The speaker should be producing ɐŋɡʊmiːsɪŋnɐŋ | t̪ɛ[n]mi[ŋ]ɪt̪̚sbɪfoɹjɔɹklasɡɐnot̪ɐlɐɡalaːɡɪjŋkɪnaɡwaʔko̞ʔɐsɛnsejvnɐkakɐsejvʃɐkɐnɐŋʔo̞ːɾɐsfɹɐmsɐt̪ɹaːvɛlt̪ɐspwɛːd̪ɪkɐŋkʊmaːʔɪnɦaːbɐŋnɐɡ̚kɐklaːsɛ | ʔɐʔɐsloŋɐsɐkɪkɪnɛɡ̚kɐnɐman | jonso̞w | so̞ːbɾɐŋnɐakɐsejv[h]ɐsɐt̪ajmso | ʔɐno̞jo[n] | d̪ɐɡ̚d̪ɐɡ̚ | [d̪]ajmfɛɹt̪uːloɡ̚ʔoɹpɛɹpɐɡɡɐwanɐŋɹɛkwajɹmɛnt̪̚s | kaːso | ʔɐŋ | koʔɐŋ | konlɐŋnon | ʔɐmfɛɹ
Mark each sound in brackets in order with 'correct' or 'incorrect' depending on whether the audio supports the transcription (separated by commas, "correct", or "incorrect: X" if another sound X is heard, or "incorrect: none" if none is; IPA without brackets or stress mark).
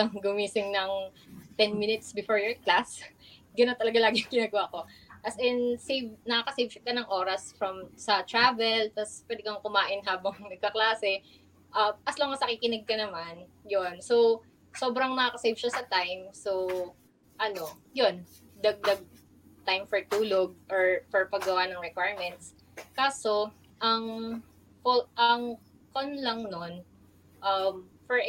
correct, incorrect: n, incorrect: ʃ, correct, incorrect: t̪